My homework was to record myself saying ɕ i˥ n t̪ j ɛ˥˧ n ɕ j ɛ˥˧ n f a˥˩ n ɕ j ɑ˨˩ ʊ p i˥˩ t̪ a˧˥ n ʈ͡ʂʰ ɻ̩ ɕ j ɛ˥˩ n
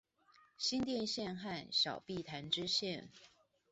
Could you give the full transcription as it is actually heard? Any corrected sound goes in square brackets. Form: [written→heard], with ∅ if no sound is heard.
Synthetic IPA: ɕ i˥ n t̪ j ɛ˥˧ n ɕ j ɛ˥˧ n [f→x] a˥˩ n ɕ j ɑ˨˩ ʊ p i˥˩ [t̪→t̪ʰ] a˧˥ n [ʈ͡ʂʰ→ʈ͡ʂ] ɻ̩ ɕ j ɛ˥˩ n